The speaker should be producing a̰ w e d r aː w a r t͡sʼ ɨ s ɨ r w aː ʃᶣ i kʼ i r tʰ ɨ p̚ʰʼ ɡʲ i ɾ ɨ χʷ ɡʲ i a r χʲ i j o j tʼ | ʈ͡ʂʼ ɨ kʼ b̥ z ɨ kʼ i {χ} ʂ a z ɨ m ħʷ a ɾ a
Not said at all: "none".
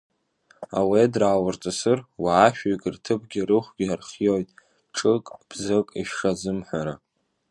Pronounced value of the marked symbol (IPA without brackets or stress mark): ʃ